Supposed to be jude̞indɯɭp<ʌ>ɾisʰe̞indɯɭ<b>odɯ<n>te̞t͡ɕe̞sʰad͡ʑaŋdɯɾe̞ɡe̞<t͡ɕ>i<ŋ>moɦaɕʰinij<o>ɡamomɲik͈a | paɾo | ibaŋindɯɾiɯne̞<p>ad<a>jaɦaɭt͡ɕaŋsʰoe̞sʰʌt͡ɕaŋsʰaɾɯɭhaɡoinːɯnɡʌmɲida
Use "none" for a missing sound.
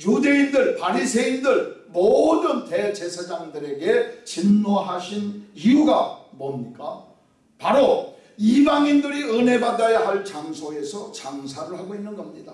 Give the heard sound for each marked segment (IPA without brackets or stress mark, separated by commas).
a, m, n, t͡ɕ, n, u, b, a